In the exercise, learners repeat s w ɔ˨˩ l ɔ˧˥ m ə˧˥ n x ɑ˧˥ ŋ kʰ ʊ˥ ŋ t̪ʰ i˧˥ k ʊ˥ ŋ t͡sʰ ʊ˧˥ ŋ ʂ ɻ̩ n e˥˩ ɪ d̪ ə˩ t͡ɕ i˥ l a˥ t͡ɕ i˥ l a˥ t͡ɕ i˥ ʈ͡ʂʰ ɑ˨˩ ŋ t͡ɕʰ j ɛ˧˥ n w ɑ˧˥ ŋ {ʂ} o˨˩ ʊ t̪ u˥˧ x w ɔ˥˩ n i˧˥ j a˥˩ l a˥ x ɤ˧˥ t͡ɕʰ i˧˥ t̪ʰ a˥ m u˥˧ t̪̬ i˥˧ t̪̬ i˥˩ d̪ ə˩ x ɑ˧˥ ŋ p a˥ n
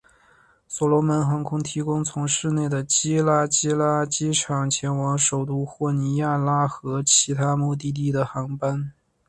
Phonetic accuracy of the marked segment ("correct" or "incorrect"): correct